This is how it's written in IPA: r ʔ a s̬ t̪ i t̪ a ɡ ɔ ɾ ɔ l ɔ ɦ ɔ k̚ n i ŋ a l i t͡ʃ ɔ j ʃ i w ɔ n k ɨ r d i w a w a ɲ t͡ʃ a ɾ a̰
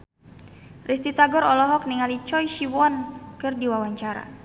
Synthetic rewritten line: r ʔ i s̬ t̪ i t̪ a ɡ ɔ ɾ ɔ l ɔ ɦ ɔ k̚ n i ŋ a l i t͡ʃ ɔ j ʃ i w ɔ n k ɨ r d i w a w a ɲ t͡ʃ a ɾ a̰